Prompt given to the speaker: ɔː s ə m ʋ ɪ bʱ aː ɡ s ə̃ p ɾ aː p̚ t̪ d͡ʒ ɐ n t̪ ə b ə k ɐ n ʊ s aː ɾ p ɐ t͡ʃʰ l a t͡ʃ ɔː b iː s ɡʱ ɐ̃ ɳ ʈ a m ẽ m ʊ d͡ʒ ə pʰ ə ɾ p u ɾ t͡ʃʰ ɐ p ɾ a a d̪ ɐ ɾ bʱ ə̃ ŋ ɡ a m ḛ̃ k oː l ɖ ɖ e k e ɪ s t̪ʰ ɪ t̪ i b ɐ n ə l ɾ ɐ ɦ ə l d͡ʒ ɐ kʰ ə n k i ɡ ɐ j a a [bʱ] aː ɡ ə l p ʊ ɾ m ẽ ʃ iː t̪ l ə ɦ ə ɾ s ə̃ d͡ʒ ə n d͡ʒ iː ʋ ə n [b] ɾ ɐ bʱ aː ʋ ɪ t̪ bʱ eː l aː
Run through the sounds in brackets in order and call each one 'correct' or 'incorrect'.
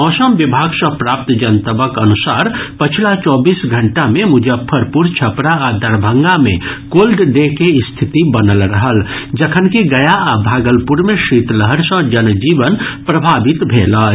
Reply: correct, incorrect: p

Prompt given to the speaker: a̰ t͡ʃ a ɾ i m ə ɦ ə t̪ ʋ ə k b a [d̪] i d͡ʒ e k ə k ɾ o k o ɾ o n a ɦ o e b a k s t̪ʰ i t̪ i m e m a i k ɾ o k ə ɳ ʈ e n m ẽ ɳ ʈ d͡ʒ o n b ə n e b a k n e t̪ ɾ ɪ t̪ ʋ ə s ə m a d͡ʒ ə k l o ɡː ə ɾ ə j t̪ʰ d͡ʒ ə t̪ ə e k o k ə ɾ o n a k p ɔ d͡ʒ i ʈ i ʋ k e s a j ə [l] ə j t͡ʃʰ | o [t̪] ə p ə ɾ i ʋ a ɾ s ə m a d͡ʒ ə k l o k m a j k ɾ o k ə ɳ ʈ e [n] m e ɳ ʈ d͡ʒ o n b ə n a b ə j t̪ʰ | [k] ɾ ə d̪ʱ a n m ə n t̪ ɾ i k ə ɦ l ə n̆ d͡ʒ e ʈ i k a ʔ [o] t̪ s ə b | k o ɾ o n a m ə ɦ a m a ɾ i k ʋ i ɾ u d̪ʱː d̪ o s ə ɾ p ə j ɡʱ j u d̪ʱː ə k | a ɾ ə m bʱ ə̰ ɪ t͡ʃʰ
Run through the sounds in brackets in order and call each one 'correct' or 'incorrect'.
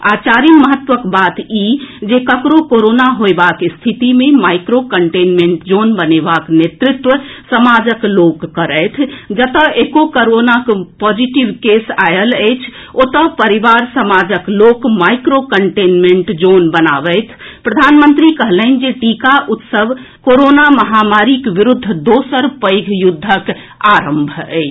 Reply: incorrect: t̪, correct, correct, correct, incorrect: p, incorrect: u

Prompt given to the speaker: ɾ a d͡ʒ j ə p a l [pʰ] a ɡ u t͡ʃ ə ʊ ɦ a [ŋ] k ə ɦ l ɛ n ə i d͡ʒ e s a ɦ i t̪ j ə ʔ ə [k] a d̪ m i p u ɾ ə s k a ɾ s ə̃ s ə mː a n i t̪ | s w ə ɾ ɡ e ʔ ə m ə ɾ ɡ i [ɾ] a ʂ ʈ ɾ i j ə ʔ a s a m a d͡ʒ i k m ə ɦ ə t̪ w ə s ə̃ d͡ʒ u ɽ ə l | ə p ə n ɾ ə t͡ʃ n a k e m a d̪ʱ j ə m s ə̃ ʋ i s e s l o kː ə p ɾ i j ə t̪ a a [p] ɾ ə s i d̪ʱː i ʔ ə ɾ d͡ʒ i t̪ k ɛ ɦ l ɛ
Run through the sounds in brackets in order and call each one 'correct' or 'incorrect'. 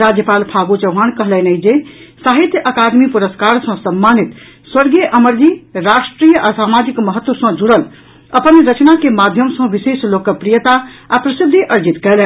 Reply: correct, incorrect: n, correct, correct, correct

